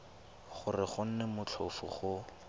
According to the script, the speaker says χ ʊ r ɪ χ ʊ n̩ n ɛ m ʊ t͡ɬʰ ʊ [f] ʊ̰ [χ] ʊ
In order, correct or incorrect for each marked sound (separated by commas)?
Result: correct, correct